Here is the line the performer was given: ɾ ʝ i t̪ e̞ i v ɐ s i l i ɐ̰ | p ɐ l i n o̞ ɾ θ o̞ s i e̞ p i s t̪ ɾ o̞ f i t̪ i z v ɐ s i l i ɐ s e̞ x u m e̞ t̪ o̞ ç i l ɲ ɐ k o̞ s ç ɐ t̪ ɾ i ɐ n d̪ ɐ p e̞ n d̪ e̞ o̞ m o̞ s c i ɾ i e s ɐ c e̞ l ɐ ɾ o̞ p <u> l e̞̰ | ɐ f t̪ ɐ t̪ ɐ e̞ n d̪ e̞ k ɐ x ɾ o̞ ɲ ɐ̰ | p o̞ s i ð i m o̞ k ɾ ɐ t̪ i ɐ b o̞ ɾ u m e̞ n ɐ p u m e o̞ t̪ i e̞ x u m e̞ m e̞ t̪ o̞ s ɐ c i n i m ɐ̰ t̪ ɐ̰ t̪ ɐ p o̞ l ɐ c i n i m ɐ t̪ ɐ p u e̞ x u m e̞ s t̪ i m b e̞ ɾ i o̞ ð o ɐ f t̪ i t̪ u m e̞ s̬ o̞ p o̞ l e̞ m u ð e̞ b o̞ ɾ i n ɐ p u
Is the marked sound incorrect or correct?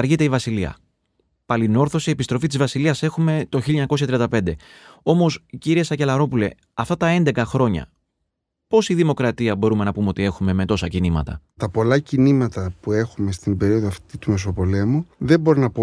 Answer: correct